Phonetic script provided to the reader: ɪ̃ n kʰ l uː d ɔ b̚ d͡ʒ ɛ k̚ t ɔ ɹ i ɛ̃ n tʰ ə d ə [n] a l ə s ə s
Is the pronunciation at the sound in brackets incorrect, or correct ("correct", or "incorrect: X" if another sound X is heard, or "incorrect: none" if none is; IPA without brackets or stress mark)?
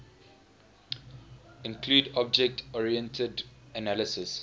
correct